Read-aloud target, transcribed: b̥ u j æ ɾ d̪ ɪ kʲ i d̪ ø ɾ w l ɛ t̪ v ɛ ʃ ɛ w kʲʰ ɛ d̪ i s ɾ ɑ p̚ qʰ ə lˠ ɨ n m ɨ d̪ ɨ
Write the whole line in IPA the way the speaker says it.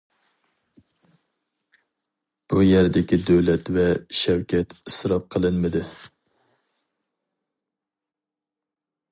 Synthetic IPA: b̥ u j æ ɾ d̪ ɪ kʲ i d̪ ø w l ɛ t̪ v ɛ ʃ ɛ w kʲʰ ɛ t̪ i s ɾ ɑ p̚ qʰ ə lˠ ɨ n m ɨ d̪ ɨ